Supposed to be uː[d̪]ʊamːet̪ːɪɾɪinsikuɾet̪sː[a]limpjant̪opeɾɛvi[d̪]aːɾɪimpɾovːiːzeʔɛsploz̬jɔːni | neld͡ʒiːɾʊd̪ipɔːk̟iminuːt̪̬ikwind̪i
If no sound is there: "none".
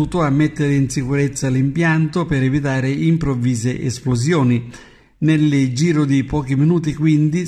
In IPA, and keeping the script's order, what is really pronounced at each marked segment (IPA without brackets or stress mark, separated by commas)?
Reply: t̪, a, t̪